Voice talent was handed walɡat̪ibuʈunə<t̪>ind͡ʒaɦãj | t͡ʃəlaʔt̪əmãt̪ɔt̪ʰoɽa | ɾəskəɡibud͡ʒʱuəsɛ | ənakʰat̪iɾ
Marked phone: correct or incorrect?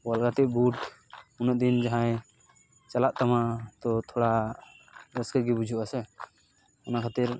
incorrect